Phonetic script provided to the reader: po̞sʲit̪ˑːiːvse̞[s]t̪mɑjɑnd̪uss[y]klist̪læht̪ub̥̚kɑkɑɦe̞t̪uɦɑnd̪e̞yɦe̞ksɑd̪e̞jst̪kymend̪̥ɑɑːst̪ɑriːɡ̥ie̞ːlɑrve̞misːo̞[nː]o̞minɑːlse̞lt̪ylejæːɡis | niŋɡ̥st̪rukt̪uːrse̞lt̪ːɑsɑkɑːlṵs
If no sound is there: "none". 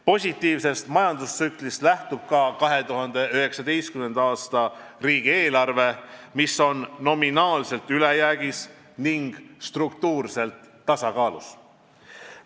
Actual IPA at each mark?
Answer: s, y, nː

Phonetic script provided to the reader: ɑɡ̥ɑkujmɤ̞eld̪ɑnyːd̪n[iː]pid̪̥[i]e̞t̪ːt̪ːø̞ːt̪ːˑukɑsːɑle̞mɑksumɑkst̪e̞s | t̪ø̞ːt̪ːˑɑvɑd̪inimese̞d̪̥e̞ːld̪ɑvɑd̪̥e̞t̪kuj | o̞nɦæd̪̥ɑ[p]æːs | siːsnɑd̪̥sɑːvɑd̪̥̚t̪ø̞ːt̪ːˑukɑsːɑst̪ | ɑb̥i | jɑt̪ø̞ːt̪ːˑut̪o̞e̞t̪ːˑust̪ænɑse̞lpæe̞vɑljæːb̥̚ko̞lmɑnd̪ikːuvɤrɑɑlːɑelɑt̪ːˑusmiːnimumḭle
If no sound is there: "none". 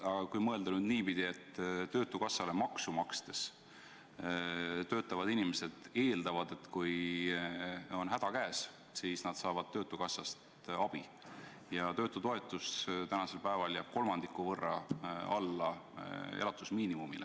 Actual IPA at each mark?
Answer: iː, i, k

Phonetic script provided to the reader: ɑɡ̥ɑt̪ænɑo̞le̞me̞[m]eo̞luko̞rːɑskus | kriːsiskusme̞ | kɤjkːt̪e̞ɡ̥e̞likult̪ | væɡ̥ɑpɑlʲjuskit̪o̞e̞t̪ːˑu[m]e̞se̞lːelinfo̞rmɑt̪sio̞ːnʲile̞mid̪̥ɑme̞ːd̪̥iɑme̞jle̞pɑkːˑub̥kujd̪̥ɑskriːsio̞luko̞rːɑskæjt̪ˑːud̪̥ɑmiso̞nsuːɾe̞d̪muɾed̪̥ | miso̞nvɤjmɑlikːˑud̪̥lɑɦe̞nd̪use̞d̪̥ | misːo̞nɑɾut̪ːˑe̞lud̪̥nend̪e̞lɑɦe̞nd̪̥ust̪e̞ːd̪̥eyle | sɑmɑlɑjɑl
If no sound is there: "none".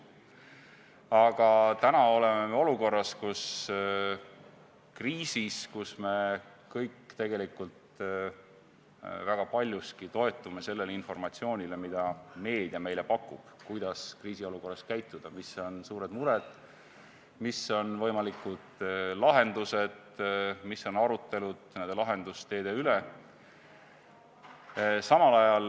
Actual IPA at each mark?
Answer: m, m

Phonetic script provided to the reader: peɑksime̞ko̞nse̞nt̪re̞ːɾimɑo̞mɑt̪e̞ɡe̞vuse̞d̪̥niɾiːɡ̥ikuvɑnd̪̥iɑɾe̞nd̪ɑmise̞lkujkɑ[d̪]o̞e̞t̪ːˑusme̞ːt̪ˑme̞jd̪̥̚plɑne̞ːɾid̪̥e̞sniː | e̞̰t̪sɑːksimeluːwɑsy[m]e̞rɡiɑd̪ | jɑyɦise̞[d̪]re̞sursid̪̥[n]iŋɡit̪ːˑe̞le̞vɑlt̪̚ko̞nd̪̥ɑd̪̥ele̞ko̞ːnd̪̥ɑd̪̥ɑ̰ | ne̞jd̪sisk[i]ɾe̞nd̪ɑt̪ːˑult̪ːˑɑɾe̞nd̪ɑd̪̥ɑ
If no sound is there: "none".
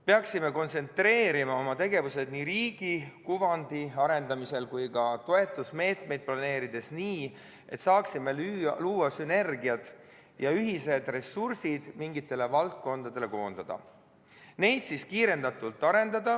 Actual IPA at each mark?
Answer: t̪, n, d̪, m, iː

